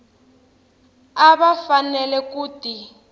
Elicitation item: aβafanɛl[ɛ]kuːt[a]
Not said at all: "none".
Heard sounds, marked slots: ɛ, i

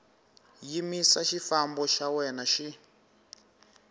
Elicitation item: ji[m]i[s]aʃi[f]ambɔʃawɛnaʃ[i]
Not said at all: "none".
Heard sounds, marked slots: m, s, f, i

